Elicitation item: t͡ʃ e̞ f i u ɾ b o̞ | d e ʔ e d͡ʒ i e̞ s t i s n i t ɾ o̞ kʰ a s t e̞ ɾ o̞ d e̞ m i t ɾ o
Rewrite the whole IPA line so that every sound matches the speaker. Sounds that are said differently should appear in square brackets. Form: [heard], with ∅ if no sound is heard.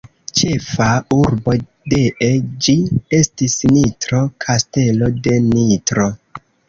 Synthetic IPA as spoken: t͡ʃ e̞ f [a] u ɾ b o̞ | d e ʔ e d͡ʒ i e̞ s t i s n i t ɾ o̞ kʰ a s t e̞ [l] o̞ d e̞ [n] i t ɾ o